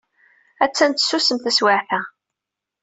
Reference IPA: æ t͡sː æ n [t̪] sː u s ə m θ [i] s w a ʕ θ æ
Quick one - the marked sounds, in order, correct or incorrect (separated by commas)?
correct, incorrect